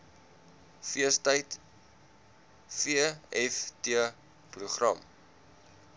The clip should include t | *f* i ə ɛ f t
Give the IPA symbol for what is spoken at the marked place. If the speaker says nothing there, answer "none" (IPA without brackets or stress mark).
f